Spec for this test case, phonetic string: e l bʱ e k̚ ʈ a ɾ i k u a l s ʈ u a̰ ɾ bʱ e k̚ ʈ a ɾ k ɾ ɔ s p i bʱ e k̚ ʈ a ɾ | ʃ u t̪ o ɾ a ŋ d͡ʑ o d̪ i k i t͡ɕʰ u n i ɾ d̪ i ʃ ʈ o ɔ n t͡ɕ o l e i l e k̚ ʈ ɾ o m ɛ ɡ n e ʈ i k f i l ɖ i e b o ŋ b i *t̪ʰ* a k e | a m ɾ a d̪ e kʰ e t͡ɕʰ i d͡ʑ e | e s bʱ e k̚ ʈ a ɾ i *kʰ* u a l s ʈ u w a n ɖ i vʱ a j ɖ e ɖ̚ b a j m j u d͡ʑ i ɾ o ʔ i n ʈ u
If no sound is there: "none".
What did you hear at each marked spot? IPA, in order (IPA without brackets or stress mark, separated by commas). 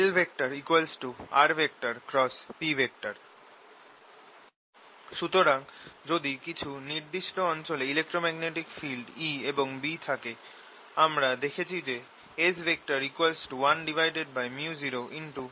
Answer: t̪ʰ, k